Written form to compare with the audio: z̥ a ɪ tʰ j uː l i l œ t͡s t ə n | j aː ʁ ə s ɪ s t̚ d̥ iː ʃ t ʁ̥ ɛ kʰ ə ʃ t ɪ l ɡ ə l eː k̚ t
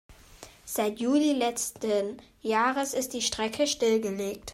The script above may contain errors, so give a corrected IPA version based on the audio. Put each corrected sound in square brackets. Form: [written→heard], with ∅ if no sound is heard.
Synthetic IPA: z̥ a ɪ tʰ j uː l i l [œ→ɛ] t͡s t ə n | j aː ʁ ə s ɪ s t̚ d̥ iː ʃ t ʁ̥ ɛ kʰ ə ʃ t ɪ l ɡ ə l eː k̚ t